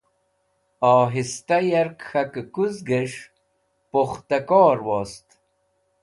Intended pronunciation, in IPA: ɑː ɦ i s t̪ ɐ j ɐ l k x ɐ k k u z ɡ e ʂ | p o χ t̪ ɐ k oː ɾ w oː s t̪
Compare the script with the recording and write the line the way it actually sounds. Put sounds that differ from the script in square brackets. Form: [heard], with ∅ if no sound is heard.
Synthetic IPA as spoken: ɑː ɦ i s t̪ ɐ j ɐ [ɾ] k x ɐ k k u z ɡ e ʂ | p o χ t̪ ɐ k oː ɾ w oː s t̪

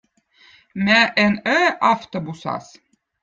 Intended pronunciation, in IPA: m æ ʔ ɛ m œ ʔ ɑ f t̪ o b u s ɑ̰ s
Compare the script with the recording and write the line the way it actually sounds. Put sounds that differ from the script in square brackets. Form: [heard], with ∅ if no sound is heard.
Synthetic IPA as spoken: m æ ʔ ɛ [n] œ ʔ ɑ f t̪ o b u s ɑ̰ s

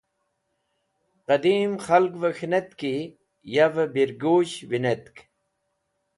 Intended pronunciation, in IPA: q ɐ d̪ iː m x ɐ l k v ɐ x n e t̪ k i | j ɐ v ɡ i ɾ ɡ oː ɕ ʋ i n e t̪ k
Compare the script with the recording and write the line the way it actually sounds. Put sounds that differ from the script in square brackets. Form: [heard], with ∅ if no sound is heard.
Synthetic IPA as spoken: q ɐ d̪ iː m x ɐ l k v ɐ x n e t̪ k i | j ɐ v [b] i ɾ ɡ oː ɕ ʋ i n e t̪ k

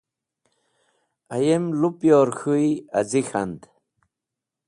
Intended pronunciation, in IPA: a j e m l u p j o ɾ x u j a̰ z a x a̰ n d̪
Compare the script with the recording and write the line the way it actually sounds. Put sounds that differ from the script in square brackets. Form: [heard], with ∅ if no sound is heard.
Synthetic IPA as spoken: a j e m l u p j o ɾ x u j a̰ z [i] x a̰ n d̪

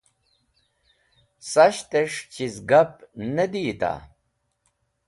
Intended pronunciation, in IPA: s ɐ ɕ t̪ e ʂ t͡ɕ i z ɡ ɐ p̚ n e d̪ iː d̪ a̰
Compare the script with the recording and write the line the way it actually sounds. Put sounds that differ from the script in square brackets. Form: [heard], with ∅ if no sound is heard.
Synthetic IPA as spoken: s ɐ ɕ t̪ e ʂ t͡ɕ i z ɡ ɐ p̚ n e d̪ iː [t̪] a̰

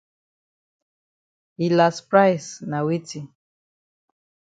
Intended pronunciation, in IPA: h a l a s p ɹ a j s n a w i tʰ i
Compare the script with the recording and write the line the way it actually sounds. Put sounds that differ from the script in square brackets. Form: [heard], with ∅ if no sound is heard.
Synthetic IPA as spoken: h [i] l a s p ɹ a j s n a w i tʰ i

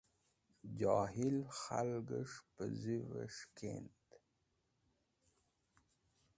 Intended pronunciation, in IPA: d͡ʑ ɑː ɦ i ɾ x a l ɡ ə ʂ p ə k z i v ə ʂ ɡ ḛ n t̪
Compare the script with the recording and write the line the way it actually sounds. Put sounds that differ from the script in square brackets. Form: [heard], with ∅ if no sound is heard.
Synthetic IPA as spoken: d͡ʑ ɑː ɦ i [l] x a l ɡ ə ʂ p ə [∅] z i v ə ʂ [k] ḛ n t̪

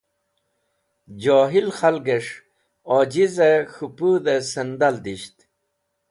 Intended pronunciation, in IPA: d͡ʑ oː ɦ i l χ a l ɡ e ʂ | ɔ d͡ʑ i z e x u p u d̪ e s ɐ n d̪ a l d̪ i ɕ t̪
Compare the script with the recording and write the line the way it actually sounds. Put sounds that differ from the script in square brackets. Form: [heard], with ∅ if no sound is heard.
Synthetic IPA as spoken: d͡ʑ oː ɦ i l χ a l ɡ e ʂ | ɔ d͡ʑ i z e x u p u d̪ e s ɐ n d̪ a l d̪ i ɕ t̪

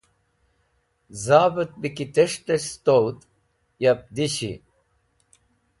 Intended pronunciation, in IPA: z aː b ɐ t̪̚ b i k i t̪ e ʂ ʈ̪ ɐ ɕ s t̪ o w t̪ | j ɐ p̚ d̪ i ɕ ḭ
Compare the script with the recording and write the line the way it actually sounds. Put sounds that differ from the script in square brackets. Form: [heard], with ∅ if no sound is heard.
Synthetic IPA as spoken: z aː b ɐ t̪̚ b i k i t̪ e ʂ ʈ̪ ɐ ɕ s t̪ o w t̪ | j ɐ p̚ d̪ i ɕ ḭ

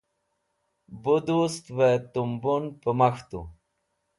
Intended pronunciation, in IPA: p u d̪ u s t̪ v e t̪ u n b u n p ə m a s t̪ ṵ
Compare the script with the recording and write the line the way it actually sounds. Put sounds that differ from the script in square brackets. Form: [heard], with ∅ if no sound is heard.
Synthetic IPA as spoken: [b] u d̪ u s t̪ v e t̪ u [m] b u n p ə m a [x] t̪ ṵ

